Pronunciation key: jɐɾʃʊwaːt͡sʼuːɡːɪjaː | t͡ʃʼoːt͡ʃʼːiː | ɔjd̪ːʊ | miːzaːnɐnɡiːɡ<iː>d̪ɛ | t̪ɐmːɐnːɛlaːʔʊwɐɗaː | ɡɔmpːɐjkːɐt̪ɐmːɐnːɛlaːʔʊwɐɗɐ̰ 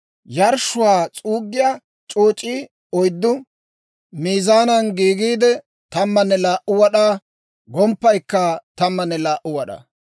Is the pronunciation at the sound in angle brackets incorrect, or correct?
correct